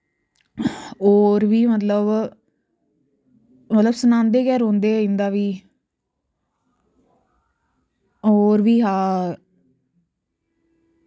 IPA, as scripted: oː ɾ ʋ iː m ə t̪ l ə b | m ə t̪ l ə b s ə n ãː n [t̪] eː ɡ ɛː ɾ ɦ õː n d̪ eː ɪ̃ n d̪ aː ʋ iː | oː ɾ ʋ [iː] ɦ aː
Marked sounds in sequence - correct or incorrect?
incorrect, correct

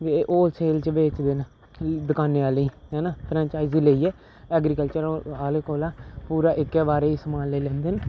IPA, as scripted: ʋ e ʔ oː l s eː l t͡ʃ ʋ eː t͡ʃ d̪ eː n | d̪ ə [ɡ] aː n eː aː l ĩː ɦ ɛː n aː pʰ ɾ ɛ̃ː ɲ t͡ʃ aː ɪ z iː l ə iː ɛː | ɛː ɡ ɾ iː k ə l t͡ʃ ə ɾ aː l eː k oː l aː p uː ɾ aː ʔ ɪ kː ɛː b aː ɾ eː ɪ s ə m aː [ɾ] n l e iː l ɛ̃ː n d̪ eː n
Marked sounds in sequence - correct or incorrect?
incorrect, incorrect

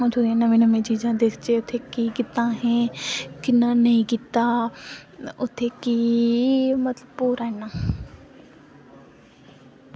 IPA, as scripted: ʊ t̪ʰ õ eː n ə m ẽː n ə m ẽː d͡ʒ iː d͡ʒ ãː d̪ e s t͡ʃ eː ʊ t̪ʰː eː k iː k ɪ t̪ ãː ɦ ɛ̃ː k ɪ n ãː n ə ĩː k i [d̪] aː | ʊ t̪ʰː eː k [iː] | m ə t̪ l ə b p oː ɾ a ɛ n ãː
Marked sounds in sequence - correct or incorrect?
incorrect, correct

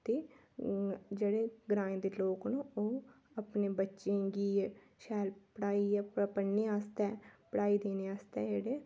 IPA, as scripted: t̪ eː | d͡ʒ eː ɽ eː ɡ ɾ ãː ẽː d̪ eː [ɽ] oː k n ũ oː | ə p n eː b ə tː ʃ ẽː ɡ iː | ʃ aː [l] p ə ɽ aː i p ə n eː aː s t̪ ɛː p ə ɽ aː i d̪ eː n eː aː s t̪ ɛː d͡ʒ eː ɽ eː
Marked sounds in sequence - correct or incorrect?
incorrect, correct

